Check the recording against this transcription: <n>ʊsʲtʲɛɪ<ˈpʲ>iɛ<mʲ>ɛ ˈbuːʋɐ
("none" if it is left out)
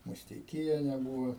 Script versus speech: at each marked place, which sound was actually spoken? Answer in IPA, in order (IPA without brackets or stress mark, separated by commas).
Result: m, kʲ, nʲ